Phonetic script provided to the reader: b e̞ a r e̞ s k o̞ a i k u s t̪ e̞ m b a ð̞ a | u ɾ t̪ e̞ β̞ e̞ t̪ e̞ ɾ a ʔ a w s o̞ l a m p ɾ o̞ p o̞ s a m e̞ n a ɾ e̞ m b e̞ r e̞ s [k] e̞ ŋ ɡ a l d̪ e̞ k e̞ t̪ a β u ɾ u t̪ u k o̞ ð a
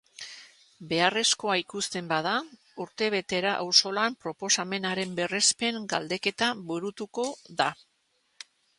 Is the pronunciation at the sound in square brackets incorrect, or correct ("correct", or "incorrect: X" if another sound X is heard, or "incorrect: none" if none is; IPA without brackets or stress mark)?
incorrect: p